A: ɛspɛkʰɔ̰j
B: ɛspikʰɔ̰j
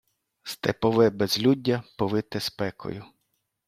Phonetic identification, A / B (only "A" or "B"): A